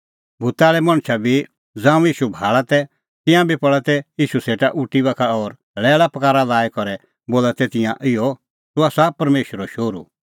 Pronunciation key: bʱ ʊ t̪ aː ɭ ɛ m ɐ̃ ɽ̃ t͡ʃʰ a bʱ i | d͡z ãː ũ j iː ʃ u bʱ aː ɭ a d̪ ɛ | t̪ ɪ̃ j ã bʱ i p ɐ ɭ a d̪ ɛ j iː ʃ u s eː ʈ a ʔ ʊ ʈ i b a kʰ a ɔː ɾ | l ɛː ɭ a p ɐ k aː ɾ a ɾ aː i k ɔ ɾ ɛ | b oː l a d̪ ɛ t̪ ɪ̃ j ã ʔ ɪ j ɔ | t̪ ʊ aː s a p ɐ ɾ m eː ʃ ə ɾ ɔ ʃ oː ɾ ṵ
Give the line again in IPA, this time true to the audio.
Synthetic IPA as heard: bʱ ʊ t̪ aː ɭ ɛ m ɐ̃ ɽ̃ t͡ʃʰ a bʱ i | d͡z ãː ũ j iː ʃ u bʱ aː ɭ a t̪ ɛ | t̪ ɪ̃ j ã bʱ i p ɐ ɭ a t̪ ɛ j iː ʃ u s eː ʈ a ʔ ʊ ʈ i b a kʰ a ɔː ɾ | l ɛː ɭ a p ɐ k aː ɾ a l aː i k ɔ ɾ ɛ | b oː l a t̪ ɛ t̪ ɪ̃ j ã ʔ ɪ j ɔ | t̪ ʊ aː s a p ɐ ɾ m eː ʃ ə ɾ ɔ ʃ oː ɾ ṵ